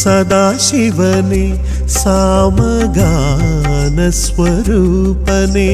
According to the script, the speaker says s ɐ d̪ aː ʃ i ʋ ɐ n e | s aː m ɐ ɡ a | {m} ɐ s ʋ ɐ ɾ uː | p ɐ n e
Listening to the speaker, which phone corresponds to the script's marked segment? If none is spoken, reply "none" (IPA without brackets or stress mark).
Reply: n